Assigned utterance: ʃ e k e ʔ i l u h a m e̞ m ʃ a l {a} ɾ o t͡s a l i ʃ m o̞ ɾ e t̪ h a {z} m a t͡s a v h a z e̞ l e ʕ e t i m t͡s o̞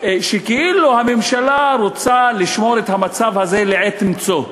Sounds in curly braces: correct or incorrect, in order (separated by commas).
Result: correct, incorrect